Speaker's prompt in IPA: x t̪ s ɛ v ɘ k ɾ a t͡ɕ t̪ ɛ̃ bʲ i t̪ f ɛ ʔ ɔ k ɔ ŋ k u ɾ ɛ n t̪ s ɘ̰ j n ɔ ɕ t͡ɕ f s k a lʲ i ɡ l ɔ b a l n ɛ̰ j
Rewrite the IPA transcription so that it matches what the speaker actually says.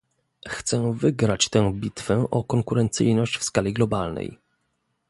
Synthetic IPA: x t̪ s ɛ v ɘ ɡ ɾ a t͡ɕ t̪ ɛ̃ bʲ i t̪ f ɛ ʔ ɔ k ɔ ŋ k u ɾ ɛ n t̪ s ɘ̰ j n ɔ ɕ t͡ɕ f s k a lʲ i ɡ l ɔ b a l n ɛ̰ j